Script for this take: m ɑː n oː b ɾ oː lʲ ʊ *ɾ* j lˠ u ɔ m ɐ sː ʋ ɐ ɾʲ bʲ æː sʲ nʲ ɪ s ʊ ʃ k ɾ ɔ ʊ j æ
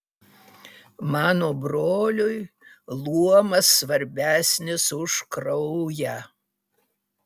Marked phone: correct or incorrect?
incorrect